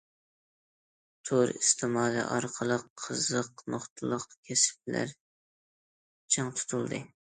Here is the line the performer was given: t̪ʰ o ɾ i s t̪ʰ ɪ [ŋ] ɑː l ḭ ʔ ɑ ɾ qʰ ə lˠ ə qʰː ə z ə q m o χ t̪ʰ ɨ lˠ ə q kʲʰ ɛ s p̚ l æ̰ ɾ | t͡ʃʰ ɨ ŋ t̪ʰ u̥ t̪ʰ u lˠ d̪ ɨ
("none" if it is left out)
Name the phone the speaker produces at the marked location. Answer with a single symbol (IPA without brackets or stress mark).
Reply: m